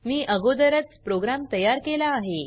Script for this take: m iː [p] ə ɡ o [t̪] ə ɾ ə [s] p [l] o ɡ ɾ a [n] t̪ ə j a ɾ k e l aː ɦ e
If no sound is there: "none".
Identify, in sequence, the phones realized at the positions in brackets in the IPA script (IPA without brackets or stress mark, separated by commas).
ʔ, d̪, t͡s, ɾ, m